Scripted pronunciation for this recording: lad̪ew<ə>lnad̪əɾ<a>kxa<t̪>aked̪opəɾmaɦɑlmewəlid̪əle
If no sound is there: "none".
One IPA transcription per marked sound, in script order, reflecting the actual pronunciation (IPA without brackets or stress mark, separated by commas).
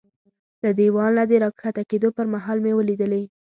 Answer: ɑ, ɑ, t̪